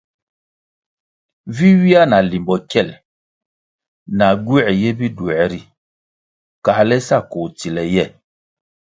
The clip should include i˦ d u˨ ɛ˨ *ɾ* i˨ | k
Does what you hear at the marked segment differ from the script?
no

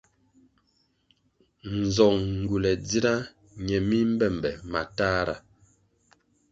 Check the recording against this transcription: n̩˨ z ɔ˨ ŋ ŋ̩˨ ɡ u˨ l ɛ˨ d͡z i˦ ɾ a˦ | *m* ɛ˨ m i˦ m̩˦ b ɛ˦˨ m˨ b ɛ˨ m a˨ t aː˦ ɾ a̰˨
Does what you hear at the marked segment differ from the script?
yes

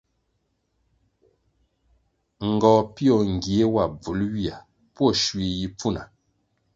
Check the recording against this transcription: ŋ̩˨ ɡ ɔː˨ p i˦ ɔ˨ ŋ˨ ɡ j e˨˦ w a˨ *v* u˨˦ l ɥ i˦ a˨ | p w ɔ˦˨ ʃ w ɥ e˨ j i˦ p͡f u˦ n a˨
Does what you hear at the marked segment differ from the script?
yes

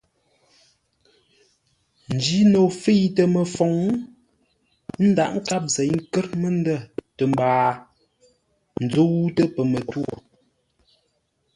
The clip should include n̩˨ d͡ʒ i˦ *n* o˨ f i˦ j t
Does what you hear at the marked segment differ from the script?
no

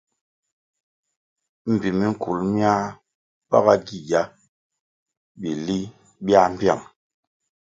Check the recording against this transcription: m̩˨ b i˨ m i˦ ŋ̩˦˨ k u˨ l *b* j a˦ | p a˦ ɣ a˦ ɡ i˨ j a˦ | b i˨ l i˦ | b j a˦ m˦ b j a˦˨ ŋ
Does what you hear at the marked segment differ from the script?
yes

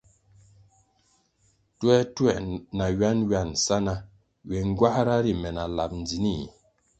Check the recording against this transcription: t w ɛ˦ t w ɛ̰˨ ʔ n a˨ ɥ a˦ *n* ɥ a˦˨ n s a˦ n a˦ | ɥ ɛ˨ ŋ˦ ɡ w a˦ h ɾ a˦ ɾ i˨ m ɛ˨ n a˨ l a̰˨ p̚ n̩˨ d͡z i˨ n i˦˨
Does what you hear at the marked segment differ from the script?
no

